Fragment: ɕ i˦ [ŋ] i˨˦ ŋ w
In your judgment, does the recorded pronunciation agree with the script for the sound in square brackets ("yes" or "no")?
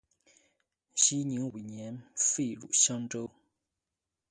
no